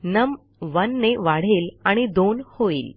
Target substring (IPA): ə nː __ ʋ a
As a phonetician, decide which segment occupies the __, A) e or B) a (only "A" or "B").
A